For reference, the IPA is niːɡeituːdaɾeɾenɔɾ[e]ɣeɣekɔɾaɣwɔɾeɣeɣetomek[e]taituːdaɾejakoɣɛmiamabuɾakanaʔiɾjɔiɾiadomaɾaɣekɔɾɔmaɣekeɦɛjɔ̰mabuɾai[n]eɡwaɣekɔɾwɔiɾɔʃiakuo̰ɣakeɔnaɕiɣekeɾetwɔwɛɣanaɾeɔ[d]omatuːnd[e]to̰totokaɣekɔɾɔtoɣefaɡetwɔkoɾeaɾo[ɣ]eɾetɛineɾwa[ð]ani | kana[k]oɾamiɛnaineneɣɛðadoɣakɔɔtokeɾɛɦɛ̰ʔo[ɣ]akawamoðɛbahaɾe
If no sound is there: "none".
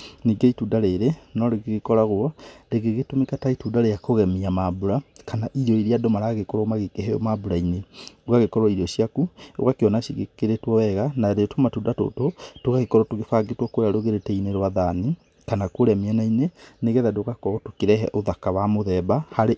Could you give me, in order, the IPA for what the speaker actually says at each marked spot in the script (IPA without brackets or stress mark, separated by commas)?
e, a, n, t, a, ɣ, ð, k, ð